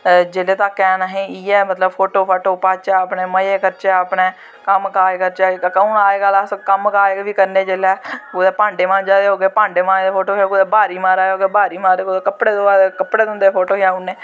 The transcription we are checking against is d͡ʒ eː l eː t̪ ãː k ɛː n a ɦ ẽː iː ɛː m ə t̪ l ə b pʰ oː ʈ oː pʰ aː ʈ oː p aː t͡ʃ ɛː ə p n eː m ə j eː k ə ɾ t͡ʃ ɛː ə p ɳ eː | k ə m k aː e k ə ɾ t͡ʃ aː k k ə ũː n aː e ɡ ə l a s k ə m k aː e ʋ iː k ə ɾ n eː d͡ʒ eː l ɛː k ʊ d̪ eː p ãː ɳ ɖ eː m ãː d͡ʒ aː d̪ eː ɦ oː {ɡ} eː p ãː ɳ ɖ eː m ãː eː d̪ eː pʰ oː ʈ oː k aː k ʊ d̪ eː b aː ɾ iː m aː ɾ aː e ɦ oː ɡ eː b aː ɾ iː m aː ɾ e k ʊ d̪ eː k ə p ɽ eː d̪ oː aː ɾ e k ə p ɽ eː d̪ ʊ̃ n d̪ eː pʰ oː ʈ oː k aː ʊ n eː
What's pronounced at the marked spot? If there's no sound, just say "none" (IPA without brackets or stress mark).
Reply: ɡ